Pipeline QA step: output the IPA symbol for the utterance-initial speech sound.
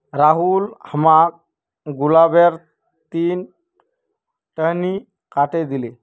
ɾ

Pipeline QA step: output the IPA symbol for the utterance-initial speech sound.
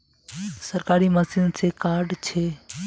s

